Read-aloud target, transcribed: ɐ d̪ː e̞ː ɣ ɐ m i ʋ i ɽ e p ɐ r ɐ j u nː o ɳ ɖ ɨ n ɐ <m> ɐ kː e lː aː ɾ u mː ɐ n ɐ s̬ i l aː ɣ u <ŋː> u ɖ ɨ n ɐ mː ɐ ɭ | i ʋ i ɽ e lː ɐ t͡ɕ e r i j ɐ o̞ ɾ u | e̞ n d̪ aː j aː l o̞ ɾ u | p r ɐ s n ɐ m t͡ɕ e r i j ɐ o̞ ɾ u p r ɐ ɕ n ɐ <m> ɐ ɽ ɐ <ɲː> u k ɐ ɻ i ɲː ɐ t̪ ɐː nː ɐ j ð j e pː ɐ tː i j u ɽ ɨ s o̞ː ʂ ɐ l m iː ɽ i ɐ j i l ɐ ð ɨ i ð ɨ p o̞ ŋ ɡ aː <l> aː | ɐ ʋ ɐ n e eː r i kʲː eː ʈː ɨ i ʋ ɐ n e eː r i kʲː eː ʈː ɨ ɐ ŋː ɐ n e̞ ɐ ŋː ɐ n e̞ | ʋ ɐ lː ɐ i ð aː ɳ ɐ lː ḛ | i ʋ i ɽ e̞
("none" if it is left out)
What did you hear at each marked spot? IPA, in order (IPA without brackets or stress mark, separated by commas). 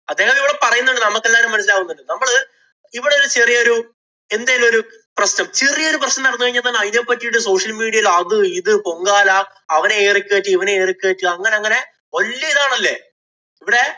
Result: m, nː, n, nː, l